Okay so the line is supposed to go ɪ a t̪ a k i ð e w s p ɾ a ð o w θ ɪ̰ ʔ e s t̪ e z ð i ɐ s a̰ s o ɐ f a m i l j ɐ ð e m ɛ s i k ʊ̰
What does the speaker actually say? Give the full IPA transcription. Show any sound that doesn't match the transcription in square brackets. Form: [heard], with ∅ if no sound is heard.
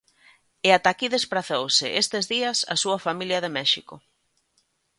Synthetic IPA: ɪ a t̪ a k i ð e [∅] s p ɾ a [θ] o w [s] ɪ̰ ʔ e s t̪ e z ð i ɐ s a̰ s [u] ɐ f a m i l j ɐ ð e m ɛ [ʃ] i k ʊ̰